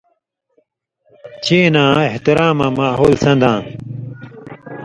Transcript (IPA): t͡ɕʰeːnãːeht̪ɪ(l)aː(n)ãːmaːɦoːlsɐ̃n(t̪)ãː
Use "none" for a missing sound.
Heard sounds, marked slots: ɾ, m, d̪

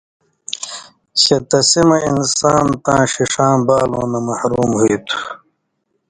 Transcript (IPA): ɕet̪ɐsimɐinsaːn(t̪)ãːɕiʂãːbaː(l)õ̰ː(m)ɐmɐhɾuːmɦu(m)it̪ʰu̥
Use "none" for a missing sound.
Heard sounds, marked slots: t̪, l, n, none

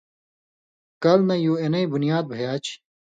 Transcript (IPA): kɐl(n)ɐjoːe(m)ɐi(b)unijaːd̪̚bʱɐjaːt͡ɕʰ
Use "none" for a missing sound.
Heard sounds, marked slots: n, n, b

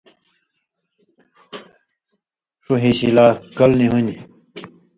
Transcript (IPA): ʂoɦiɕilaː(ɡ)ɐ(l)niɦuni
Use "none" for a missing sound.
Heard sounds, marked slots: k, l

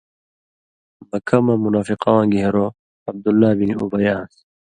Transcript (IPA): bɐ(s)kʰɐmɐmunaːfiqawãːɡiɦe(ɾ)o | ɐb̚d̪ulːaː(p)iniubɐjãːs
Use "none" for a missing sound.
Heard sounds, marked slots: none, ɾ, b

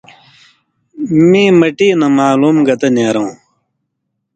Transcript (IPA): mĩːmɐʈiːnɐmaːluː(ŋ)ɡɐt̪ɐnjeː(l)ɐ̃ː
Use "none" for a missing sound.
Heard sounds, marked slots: m, ɾ

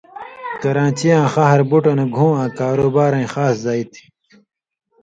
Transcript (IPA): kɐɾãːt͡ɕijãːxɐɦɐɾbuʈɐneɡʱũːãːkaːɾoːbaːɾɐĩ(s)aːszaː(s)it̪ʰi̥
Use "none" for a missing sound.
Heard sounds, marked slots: x, none

